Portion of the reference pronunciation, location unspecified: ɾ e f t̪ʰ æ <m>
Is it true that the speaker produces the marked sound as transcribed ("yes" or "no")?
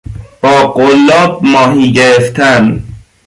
no